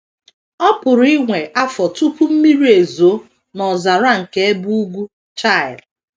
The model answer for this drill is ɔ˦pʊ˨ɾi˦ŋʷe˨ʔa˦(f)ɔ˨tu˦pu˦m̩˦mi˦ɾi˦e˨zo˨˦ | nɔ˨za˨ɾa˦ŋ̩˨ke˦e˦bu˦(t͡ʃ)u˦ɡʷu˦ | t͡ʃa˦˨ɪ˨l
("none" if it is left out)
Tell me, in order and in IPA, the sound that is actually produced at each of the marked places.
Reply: f, none

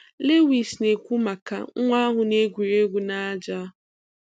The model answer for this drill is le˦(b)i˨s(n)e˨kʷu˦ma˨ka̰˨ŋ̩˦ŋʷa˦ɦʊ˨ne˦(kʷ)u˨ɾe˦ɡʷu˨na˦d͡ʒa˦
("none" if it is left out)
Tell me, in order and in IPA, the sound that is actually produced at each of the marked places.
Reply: w, n, ɡʷ

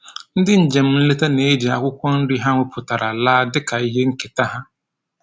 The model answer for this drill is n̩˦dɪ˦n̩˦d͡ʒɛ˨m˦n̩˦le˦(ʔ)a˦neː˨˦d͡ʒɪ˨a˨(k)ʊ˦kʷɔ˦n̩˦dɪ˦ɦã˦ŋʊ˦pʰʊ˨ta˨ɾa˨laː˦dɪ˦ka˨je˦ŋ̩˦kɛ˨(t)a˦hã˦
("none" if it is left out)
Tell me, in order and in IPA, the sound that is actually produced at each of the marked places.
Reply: t, k, t

